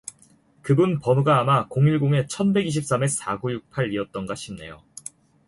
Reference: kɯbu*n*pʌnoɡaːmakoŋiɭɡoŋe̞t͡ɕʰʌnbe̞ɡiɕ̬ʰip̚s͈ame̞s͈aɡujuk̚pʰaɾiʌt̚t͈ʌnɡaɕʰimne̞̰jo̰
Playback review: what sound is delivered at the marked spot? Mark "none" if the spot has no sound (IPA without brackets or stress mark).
n